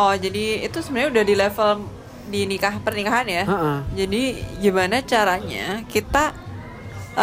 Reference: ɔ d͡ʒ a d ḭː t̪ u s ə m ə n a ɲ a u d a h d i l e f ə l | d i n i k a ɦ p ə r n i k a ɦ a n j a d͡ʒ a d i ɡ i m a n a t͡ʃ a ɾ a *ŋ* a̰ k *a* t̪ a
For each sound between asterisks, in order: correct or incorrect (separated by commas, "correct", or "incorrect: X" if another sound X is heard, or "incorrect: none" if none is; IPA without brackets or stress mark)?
incorrect: ɲ, incorrect: i